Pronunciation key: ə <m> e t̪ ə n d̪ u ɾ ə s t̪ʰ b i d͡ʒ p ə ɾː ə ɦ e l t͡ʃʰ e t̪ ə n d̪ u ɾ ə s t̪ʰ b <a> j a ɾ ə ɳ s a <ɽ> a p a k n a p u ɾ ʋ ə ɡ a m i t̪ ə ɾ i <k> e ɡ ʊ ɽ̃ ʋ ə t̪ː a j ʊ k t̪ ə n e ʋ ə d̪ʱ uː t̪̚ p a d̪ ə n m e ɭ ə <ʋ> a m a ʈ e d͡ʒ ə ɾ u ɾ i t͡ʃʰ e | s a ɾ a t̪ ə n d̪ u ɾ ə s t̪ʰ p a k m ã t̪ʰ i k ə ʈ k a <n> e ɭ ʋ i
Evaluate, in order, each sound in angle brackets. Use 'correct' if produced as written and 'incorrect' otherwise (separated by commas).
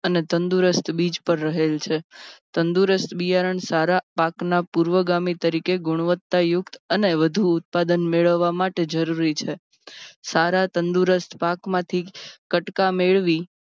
incorrect, incorrect, incorrect, correct, incorrect, incorrect